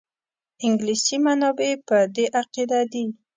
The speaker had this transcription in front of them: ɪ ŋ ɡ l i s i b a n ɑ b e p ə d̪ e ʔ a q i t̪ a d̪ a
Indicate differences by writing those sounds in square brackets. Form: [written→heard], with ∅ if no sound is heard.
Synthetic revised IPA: ɪ ŋ ɡ l i s i [b→m] a n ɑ b e p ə d̪ e ʔ a q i [t̪→d̪] a d̪ [a→i]